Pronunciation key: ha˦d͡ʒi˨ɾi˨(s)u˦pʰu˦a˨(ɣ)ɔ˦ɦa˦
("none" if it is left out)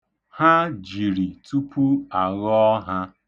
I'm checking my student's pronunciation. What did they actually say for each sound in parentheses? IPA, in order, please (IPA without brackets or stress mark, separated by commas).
t, ɣ